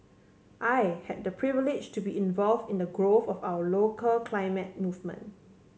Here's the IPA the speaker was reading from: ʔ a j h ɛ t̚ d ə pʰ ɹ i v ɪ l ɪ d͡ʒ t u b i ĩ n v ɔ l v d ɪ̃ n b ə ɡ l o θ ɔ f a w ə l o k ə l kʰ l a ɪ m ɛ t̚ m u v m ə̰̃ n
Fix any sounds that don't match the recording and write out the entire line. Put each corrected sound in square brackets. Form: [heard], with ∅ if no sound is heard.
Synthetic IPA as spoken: ʔ a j h ɛ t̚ d ə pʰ ɹ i v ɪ l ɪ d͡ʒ t u b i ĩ n v ɔ l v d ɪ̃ n [d] ə ɡ [ɹ] o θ ɔ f a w ə l o k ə l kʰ l a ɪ m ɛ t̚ m u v m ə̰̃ n